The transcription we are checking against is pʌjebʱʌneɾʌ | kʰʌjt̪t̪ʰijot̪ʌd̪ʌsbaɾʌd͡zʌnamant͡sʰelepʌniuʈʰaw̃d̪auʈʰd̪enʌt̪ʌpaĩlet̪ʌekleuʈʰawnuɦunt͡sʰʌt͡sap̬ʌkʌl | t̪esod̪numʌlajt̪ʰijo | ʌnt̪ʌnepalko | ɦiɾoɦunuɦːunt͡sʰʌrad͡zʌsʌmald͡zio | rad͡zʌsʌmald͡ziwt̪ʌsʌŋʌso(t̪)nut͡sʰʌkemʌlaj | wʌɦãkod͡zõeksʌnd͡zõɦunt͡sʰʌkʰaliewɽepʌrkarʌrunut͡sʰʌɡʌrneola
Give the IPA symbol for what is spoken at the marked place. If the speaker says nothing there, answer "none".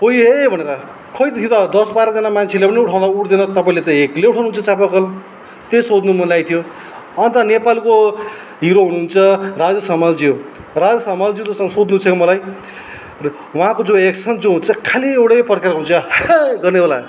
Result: d̪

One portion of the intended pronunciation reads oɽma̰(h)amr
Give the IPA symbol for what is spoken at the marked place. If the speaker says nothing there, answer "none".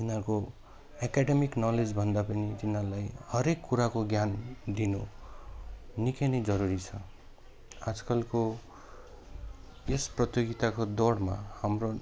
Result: h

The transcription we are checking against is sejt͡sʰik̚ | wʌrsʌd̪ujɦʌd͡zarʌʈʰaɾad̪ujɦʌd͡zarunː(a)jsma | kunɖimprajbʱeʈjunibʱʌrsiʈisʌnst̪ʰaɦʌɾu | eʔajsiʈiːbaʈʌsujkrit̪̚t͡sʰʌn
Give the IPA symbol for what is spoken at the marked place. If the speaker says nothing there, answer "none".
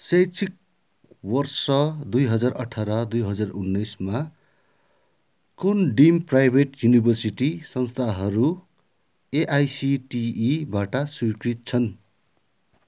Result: ʌ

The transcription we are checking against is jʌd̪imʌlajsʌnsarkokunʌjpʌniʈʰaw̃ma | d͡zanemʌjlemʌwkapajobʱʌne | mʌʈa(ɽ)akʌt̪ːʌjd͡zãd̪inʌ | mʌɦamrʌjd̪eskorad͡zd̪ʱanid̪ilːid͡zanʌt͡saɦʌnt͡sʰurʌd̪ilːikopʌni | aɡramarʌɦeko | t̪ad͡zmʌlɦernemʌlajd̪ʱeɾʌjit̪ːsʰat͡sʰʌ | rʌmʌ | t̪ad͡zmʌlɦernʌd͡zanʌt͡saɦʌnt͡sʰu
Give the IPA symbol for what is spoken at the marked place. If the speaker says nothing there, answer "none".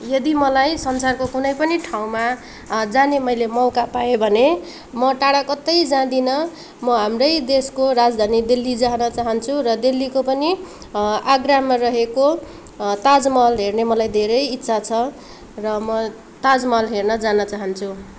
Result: ɽ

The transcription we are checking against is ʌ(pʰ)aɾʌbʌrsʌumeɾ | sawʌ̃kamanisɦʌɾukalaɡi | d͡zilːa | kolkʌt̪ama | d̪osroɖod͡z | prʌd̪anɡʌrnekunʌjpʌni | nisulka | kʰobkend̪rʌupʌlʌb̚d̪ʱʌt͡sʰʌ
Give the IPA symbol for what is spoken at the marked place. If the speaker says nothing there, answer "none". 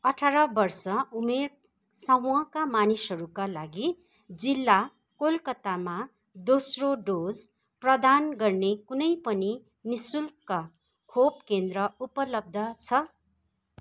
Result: ʈʰ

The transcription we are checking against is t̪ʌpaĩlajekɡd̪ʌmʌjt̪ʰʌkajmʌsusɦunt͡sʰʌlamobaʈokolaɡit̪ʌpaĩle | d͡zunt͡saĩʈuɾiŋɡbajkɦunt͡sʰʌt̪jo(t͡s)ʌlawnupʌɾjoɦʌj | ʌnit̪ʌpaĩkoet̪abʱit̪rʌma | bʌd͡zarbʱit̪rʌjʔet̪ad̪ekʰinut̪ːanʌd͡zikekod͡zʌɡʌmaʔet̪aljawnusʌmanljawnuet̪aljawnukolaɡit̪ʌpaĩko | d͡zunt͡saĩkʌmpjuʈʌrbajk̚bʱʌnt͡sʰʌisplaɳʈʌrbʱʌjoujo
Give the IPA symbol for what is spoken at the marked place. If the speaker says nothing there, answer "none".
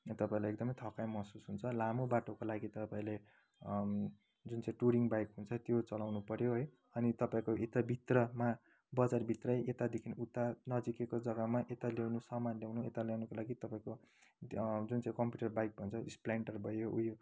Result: t͡s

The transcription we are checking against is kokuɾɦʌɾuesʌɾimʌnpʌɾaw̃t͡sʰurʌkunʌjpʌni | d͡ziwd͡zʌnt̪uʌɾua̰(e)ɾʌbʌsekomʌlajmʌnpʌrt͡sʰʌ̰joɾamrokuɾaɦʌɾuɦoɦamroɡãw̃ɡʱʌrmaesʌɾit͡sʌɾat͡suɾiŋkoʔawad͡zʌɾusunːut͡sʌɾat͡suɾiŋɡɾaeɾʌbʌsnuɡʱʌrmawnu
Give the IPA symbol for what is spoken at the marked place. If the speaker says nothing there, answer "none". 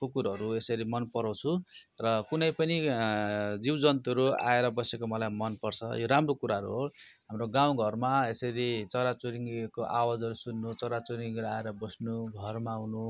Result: e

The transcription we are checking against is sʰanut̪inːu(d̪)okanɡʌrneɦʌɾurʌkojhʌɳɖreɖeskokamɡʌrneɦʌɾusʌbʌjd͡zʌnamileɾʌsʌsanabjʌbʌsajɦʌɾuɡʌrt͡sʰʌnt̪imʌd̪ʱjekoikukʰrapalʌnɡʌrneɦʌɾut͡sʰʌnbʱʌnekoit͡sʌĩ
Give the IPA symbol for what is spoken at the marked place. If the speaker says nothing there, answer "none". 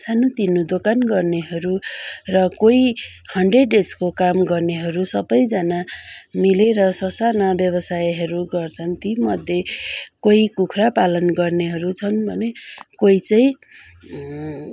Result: d̪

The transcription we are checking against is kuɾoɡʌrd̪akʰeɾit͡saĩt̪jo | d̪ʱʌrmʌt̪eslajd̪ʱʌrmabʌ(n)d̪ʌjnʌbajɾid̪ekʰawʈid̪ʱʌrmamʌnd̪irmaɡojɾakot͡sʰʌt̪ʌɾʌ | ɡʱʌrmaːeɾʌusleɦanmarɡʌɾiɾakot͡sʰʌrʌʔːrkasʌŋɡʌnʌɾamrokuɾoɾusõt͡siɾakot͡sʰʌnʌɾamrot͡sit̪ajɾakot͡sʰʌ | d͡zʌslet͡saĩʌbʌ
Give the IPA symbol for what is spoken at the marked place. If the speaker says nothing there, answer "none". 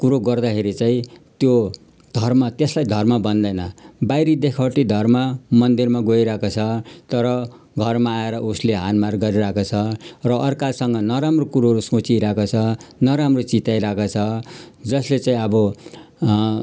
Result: n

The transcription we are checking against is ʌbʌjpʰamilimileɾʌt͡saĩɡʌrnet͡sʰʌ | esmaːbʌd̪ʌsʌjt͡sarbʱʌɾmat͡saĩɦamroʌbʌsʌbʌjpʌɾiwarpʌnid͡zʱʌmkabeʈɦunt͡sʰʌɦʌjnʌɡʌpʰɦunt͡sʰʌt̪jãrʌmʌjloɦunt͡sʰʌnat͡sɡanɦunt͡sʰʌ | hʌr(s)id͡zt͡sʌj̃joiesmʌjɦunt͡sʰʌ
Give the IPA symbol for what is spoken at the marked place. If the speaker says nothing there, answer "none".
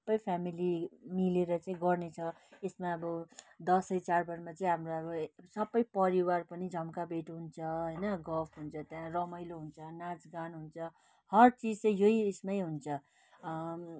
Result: t͡s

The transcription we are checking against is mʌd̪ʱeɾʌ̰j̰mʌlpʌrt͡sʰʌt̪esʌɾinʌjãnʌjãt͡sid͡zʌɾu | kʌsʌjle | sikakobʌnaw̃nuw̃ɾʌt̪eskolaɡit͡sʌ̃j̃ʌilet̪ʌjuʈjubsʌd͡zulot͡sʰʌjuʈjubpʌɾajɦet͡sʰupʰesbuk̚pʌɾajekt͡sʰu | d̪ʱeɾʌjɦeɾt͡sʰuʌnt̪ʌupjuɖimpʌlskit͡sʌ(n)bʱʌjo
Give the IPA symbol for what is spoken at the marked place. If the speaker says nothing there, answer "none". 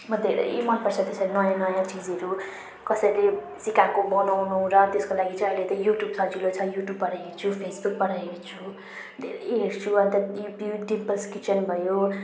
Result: n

